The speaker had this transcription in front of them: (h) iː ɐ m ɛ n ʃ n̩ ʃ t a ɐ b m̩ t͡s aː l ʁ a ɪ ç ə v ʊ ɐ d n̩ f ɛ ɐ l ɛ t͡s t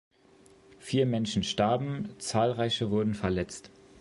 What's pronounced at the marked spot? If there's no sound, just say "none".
f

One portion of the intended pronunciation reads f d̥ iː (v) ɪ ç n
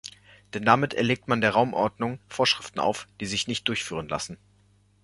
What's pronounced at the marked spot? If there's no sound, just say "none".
z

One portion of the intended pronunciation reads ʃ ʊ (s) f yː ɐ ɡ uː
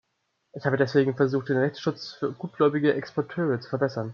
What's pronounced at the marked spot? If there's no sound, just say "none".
t͡s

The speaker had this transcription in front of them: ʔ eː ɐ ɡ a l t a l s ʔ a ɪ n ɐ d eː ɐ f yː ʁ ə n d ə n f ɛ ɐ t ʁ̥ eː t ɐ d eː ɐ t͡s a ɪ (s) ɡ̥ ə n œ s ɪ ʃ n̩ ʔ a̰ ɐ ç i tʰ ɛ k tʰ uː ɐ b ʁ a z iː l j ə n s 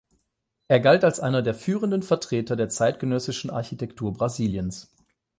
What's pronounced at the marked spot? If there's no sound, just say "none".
t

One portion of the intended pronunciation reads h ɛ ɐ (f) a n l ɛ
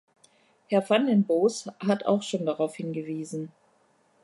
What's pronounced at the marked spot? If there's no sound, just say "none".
f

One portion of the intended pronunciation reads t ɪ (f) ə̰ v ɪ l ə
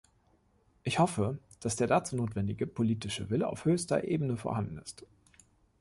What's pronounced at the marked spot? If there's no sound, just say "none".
ʃ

